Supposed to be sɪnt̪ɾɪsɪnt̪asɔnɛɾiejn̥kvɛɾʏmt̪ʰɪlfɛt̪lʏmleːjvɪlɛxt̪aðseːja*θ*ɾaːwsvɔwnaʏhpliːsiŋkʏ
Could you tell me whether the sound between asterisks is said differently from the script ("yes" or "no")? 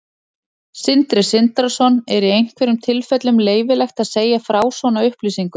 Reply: yes